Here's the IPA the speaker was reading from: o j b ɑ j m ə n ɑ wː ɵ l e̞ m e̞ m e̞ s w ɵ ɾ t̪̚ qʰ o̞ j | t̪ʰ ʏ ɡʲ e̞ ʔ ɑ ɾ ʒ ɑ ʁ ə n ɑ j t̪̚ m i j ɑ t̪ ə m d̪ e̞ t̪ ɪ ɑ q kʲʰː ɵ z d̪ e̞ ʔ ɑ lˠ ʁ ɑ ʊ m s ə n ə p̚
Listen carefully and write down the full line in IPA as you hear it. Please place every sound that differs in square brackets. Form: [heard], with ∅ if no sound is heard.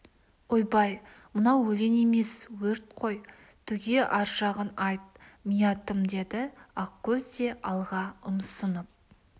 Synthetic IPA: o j b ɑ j m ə n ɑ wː ɵ l e̞ [n] e̞ m e̞ s w ɵ ɾ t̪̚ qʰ o̞ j | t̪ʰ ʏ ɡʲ e̞ ʔ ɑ ɾ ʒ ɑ ʁ ə n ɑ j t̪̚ m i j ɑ t̪ ə m d̪ e̞ [d̪] ɪ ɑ q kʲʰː ɵ z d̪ e̞ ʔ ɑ lˠ ʁ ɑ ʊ m s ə n ə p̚